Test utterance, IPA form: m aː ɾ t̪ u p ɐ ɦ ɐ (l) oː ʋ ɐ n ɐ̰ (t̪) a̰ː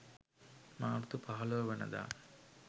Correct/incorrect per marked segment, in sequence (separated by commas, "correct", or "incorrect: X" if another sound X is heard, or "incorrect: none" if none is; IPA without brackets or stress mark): correct, incorrect: d̪